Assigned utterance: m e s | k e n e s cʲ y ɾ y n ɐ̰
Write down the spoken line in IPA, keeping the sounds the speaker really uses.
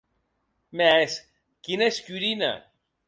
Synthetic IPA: m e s | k i n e s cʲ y ɾ i n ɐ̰